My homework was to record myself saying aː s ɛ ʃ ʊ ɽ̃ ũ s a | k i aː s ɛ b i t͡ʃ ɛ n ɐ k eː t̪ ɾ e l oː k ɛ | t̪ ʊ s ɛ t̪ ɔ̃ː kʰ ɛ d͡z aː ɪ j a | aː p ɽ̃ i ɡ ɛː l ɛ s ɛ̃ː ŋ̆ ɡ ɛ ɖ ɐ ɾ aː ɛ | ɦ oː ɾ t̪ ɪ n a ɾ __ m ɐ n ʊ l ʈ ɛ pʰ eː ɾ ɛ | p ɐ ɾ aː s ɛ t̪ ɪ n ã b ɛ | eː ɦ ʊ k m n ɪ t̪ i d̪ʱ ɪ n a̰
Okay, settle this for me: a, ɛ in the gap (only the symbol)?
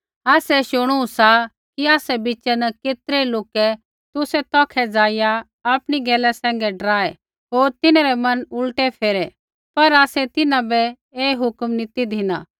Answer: ɛ